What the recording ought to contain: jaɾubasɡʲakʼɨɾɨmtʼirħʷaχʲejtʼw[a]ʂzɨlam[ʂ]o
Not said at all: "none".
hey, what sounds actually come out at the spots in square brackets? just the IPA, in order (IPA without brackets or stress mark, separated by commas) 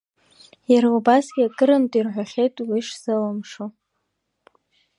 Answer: i, ʂ